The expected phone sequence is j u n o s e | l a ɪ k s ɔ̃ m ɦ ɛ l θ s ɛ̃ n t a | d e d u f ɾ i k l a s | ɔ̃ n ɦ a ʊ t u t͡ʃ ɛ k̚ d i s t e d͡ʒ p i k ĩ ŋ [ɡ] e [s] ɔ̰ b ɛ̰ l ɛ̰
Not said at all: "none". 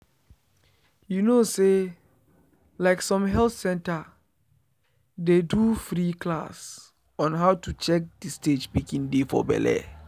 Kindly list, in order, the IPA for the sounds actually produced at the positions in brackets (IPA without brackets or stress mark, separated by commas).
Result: d, f